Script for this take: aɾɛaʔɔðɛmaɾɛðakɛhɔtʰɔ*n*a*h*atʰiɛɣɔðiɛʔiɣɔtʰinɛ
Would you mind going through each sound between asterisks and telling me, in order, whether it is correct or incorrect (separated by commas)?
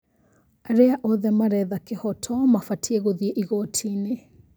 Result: incorrect, incorrect